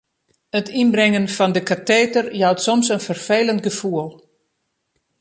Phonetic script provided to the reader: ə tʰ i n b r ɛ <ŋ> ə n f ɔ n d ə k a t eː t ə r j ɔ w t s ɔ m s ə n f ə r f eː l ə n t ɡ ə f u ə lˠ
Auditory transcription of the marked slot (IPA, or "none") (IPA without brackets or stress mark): ŋ